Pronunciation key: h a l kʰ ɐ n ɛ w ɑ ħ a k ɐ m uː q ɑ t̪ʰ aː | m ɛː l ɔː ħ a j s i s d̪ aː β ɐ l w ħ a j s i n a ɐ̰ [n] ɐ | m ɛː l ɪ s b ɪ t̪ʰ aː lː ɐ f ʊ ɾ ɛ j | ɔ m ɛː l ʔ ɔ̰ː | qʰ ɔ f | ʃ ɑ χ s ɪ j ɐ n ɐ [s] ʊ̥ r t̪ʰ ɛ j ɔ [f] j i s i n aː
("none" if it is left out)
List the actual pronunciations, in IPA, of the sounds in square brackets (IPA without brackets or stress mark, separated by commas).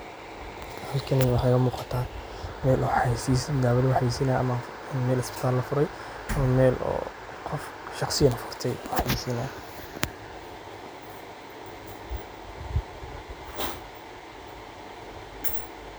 m, f, ħ